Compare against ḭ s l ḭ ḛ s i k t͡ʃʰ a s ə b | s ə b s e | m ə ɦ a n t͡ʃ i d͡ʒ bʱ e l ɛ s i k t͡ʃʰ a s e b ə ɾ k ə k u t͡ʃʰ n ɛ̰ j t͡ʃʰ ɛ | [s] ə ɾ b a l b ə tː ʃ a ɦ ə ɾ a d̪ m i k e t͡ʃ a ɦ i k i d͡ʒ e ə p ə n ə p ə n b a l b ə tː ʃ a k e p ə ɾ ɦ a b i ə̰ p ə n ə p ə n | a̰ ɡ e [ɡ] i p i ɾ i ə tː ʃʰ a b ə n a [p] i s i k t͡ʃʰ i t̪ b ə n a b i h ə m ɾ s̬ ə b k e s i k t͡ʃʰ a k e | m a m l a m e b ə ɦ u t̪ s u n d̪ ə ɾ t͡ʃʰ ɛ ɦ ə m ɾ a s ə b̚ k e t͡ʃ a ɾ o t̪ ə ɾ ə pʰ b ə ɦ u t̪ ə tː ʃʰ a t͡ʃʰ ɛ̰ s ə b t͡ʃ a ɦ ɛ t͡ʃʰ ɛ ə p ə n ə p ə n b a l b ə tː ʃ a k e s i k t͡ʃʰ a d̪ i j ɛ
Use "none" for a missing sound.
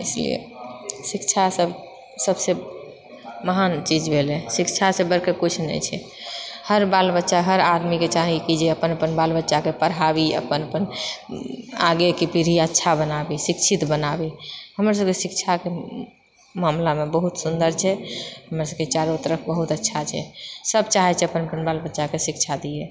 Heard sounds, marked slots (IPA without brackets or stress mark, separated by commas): h, k, b